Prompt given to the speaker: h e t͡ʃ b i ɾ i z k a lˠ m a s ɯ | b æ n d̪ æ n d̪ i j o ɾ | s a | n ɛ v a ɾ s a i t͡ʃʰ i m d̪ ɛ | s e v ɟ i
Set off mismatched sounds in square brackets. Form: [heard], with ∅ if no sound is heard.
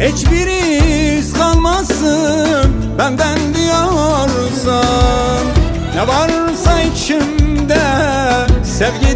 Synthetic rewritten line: h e t͡ʃ b i ɾ i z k a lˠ m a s ɯ | b æ n d̪ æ n d̪ i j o ɾ | s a | n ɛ v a ɾ s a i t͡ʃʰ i m d̪ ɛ | s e v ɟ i

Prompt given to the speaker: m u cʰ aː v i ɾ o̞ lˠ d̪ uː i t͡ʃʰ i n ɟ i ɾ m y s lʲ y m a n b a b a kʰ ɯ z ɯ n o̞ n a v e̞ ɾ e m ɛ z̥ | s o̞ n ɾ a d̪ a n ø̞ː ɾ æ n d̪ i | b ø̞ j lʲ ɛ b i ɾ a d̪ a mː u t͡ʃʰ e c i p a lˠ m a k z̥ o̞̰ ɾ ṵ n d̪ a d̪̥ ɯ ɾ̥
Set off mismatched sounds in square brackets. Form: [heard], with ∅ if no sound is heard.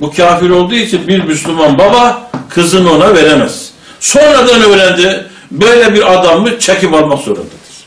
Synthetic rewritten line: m u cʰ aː [f] i ɾ o̞ lˠ d̪ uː i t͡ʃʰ i n [b] i ɾ m y s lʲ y m a n b a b a kʰ ɯ z ɯ n o̞ n a v e̞ ɾ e m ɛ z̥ | s o̞ n ɾ a d̪ a n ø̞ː ɾ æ n d̪ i | b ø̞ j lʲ ɛ b i ɾ a d̪ a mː [ɯ] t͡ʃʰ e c i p a lˠ m a k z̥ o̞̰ ɾ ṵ n d̪ a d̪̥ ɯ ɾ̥

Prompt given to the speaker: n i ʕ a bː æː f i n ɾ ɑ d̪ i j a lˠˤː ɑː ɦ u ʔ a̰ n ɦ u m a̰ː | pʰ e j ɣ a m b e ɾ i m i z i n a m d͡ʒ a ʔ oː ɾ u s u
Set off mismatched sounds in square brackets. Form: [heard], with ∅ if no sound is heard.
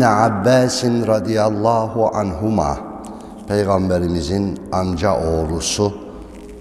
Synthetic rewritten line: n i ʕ a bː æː [s] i n ɾ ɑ d̪ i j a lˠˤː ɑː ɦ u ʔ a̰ n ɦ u m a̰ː | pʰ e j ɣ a m b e ɾ i m i z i n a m d͡ʒ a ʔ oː ɾ u s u

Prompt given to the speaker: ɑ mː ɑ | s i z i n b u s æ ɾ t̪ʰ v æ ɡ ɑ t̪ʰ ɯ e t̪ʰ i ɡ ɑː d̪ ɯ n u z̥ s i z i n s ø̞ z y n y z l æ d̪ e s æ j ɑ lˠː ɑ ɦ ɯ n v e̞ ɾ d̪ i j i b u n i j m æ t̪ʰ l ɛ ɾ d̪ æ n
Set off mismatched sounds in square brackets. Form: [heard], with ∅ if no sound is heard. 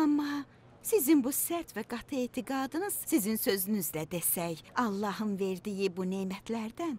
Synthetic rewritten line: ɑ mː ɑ | s i z i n b u s æ ɾ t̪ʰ v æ ɡ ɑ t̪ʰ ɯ e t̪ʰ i ɡ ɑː d̪ ɯ n [ɯ] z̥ s i z i n s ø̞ z y n y z l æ d̪ e s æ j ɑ lˠː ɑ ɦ ɯ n v e̞ ɾ d̪ i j i b u n [e] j m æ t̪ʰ l [æ] ɾ d̪ æ n

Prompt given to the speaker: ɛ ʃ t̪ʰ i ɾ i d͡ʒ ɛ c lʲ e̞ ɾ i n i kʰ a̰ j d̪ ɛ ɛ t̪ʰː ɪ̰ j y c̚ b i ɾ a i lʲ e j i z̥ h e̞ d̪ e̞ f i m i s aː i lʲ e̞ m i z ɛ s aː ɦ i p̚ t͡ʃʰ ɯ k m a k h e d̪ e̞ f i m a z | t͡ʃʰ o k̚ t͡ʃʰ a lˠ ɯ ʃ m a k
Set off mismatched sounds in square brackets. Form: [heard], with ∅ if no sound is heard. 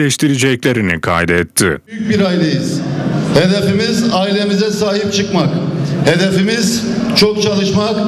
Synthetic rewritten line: ɛ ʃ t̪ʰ i ɾ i d͡ʒ ɛ c lʲ e̞ ɾ i n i kʰ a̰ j d̪ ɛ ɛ t̪ʰː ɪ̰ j y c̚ b i ɾ a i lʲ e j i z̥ h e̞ d̪ e̞ f i m i [z] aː i lʲ e̞ m i z ɛ s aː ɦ i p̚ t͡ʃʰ ɯ k m a k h e d̪ e̞ f i m [i] z | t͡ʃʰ o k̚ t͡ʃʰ a lˠ ɯ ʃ m a k

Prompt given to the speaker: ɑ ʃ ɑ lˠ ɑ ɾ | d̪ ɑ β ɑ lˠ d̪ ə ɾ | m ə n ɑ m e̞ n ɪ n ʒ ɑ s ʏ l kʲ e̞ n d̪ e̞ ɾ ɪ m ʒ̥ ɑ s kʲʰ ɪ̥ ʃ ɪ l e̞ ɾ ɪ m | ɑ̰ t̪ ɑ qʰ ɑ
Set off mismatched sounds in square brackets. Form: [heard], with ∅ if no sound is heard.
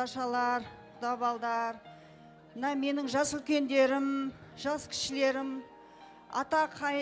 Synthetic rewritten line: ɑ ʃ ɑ lˠ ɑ ɾ | d̪ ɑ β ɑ lˠ d̪ [ɑ] ɾ | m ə n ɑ m e̞ n ɪ [ŋ] ʒ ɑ s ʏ l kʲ e̞ n d̪ e̞ ɾ ɪ m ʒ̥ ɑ s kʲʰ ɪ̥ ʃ ɪ l e̞ ɾ ɪ m | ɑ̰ t̪ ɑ qʰ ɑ

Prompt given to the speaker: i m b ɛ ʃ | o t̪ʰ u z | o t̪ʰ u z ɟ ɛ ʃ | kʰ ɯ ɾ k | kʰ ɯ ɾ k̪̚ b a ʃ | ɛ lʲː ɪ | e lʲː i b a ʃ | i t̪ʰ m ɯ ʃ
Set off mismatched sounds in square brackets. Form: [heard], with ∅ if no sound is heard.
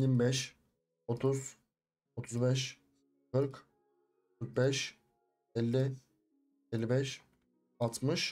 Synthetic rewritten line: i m b ɛ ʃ | o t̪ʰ u z | o t̪ʰ u z [b] ɛ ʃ | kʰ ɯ ɾ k | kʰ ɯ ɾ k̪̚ b [ɛ] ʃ | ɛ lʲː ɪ | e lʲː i b [ɛ] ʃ | [a] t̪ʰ m ɯ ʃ

